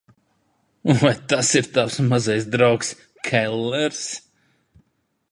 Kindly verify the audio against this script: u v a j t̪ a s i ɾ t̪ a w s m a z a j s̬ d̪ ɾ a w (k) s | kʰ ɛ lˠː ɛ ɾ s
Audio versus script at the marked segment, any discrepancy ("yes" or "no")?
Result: no